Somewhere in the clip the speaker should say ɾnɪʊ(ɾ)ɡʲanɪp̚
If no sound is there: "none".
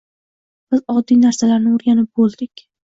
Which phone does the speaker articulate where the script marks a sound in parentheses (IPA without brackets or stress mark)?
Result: ɾ